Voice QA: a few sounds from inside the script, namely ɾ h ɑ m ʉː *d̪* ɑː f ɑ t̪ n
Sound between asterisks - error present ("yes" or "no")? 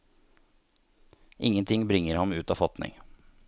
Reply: yes